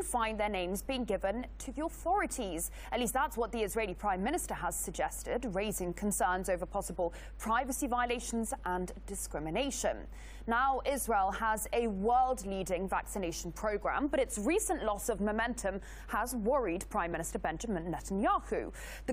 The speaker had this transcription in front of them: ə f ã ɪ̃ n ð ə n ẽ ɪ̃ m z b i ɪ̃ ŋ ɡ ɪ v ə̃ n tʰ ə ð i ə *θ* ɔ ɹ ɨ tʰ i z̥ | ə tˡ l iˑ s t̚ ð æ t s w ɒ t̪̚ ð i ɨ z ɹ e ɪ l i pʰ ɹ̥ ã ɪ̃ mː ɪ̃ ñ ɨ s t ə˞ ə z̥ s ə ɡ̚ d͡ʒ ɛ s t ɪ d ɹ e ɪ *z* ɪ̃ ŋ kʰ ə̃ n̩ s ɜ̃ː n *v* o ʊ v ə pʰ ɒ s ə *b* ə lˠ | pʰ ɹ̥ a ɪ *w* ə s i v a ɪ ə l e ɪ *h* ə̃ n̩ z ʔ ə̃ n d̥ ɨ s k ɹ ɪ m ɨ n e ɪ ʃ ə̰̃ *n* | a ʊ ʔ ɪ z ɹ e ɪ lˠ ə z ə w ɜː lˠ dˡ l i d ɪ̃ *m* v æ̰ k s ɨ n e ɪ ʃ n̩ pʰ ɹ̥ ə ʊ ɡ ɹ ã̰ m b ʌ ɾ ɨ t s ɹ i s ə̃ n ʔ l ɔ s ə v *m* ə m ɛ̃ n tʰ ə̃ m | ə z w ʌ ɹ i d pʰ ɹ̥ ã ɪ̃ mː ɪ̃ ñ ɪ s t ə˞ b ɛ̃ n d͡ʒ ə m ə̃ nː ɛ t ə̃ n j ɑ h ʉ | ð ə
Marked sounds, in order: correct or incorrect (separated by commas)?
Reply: correct, correct, incorrect, correct, incorrect, incorrect, incorrect, incorrect, correct